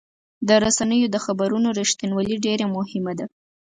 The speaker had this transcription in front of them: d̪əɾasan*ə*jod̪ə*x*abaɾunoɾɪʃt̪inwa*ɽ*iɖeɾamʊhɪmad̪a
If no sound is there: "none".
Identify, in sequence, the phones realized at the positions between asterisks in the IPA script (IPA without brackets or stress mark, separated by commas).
ə, x, l